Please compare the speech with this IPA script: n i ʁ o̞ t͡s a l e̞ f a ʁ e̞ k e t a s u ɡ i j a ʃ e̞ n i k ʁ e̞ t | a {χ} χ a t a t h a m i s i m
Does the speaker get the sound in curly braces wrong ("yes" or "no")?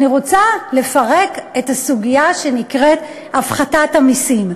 yes